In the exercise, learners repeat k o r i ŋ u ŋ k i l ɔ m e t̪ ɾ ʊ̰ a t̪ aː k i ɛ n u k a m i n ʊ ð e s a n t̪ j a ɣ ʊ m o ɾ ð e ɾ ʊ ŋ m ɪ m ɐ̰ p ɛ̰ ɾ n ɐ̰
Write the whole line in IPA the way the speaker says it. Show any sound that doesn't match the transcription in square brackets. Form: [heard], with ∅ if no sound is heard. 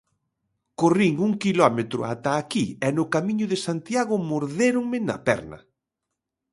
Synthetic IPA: k o r i ŋ u ŋ k i l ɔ m e t̪ ɾ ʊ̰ a t̪ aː k i ɛ n [ʊ] k a m i [ɲ] ʊ ð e s a n t̪ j a ɣ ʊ m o ɾ ð e ɾ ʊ ŋ m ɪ [n] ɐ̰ p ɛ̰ ɾ n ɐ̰